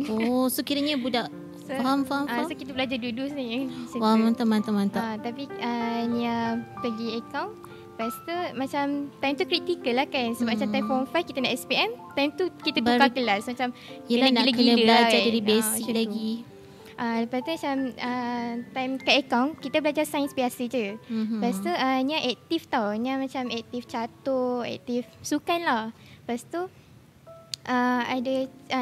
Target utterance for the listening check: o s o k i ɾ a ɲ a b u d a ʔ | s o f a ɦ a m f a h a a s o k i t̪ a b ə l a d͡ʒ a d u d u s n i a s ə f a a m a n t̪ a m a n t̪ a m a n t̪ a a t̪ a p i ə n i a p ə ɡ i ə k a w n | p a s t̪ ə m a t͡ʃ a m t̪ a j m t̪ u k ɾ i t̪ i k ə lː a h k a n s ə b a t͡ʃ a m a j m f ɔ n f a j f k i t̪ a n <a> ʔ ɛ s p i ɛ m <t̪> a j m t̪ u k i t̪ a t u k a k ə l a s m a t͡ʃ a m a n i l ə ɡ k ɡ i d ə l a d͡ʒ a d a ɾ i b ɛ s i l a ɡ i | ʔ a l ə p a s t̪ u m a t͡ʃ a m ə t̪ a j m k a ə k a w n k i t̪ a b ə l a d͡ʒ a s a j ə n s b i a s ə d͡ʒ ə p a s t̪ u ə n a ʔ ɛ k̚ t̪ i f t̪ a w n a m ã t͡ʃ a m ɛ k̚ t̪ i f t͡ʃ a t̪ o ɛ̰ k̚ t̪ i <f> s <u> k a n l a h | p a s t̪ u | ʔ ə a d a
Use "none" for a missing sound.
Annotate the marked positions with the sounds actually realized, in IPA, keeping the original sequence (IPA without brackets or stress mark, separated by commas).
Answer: a, t̪, f, u